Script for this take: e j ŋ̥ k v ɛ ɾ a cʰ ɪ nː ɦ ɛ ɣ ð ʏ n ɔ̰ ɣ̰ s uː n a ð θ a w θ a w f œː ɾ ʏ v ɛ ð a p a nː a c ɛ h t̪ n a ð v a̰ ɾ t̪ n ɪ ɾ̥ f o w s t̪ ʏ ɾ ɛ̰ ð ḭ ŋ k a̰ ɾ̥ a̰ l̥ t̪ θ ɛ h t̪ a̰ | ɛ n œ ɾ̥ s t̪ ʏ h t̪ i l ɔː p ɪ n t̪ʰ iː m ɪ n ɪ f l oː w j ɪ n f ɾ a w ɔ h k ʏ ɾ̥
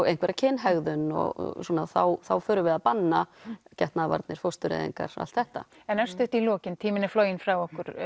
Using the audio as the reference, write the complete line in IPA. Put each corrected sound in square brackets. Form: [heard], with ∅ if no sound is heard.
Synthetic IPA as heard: e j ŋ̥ k v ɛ ɾ a cʰ ɪ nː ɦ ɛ ɣ ð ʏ n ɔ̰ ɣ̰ s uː n a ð θ a w θ a w f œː ɾ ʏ v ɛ ð a p a nː a c ɛ h t̪ n a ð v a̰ ɾ t̪ n ɪ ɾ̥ f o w s t̪ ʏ ɾ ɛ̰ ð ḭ ŋ k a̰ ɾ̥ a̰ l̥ t̪ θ ɛ h t̪ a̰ | ɛ n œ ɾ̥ s t̪ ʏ h t̪ i l ɔː [c] ɪ n t̪ʰ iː m ɪ n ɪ f l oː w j ɪ n f ɾ a w ɔ h k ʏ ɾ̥